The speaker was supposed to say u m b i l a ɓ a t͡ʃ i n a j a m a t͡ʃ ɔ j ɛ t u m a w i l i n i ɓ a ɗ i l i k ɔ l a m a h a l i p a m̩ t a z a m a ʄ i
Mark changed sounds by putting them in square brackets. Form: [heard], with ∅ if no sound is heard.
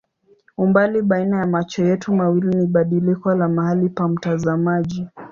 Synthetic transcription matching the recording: u m b [a] l [i] ɓ a [∅] i n a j a m a t͡ʃ ɔ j ɛ t u m a w i l i n i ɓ a ɗ i l i k ɔ l a m a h a l i p a m̩ t a z a m a ʄ i